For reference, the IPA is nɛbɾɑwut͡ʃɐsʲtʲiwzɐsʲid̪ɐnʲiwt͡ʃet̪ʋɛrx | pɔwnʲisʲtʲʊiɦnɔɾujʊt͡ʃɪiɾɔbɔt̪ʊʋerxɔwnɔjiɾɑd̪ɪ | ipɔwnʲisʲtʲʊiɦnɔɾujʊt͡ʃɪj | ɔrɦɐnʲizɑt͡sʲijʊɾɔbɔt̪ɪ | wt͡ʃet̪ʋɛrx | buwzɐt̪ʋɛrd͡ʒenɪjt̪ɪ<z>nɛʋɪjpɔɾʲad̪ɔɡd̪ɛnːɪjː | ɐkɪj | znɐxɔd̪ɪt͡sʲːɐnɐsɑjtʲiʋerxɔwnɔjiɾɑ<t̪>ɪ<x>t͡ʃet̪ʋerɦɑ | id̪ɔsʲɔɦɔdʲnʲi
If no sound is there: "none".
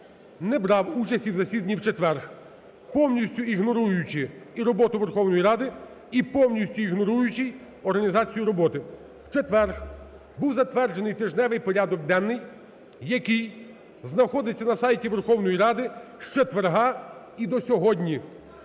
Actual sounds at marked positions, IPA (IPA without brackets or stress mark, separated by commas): ʒ, d̪, ʃ